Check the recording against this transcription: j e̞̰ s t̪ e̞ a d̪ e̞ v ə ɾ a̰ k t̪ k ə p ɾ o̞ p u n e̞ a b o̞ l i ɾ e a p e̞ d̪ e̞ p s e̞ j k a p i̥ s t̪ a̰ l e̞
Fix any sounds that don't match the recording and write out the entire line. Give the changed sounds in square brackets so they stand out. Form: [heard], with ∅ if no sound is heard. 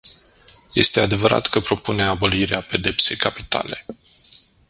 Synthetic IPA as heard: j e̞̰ s t̪ e̞ a d̪ e̞ v ə ɾ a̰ [∅] t̪ k ə p ɾ o̞ p u n e̞ a b o̞ l i ɾ e a p e̞ d̪ e̞ p s e̞ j k a p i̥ [∅] t̪ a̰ l e̞